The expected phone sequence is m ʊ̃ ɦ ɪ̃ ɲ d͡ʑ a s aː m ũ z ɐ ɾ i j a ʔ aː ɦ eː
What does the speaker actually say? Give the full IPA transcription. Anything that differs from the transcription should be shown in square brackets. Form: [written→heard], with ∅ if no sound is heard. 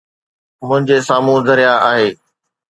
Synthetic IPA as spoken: m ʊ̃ ɦ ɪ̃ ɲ d͡ʑ [a→e] s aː m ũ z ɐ ɾ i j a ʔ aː ɦ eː